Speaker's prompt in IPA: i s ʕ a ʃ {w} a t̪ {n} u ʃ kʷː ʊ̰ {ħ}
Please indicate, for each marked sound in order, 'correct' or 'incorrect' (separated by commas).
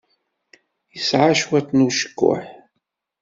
correct, correct, correct